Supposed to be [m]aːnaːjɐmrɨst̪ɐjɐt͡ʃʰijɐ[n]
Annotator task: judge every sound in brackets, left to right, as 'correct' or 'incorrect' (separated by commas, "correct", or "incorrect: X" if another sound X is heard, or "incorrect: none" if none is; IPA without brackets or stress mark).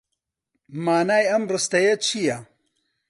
correct, incorrect: none